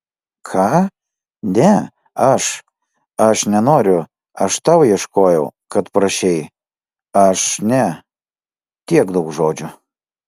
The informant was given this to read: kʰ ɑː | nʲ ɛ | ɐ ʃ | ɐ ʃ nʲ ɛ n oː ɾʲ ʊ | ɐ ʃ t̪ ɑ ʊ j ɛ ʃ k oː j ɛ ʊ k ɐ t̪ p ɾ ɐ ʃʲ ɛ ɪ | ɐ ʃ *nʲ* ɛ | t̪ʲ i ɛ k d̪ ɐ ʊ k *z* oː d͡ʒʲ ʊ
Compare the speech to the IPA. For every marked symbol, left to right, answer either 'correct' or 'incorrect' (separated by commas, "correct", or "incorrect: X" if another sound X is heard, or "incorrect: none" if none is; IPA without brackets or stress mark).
correct, incorrect: ʒ